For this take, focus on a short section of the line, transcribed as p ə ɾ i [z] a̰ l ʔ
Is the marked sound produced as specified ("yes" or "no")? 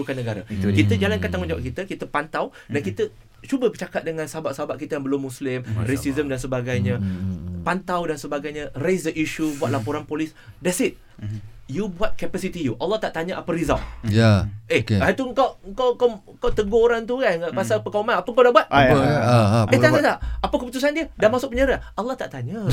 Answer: yes